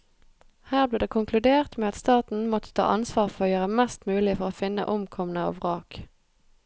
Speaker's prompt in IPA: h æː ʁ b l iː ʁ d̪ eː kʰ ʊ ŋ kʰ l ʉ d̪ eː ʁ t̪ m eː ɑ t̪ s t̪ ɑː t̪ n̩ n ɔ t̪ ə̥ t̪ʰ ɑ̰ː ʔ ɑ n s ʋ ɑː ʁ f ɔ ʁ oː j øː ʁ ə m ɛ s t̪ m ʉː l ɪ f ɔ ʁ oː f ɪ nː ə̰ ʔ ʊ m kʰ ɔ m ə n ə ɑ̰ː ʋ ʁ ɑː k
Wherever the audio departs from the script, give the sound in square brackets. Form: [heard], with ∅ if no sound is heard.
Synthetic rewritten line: h æː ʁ b l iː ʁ d̪ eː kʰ ʊ ŋ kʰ l ʉ d̪ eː ʁ t̪ m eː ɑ t̪ s t̪ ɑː t̪ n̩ [m] ɔ t̪ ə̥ t̪ʰ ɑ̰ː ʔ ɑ n s ʋ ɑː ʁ f ɔ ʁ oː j øː ʁ ə m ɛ s t̪ m ʉː l ɪ f ɔ ʁ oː f ɪ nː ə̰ ʔ ʊ m kʰ ɔ m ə n ə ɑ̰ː ʋ ʁ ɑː k